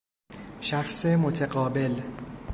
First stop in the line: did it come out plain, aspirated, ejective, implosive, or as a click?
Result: aspirated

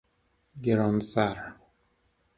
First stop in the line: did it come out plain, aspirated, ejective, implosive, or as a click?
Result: plain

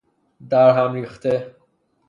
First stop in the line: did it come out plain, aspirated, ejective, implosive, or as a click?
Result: plain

